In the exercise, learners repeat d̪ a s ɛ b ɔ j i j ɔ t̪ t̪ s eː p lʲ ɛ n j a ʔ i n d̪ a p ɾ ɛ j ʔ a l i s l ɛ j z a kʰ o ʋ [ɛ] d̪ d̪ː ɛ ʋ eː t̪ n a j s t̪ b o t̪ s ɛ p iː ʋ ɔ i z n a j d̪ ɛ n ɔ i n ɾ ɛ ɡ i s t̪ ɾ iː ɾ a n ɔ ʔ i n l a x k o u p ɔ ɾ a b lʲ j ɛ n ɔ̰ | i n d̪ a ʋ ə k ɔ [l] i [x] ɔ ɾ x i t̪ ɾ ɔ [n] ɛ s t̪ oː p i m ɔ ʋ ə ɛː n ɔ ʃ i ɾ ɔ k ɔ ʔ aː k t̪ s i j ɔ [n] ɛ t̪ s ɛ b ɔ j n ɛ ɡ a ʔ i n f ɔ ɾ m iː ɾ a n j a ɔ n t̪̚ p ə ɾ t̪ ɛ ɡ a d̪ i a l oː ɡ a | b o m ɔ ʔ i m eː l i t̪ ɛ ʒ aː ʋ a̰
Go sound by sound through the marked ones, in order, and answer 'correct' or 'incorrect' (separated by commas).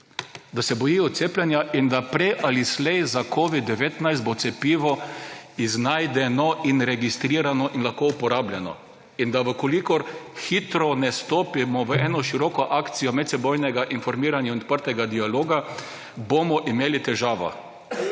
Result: incorrect, correct, incorrect, correct, incorrect